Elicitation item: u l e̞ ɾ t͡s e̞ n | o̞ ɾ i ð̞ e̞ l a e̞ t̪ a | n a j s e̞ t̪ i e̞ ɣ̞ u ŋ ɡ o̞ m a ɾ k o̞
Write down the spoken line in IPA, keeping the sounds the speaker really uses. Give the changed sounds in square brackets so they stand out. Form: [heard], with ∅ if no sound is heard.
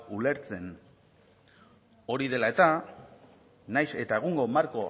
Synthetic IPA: u l e̞ ɾ t͡s e̞ n | o̞ ɾ i ð̞ e̞ l a e̞ t̪ a | n a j s e̞ t̪ [a] e̞ ɣ̞ u ŋ ɡ o̞ m a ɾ k o̞